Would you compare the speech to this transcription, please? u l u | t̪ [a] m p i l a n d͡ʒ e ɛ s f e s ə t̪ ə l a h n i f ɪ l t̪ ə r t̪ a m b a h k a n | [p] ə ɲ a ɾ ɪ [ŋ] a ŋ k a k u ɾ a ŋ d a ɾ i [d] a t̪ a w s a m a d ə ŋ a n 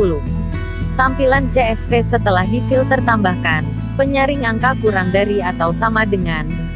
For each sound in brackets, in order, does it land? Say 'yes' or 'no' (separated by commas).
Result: yes, yes, yes, no